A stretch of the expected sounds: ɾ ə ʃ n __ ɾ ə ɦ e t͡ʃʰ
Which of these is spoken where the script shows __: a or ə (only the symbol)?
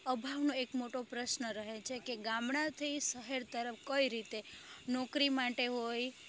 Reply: ə